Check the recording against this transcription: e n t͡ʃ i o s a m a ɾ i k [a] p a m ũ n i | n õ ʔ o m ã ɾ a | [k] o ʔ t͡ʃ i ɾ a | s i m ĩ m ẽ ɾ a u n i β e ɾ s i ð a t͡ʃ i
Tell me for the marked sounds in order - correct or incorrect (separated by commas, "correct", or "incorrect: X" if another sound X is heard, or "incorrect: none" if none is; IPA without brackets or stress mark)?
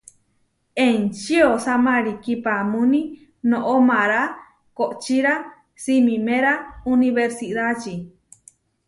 incorrect: i, correct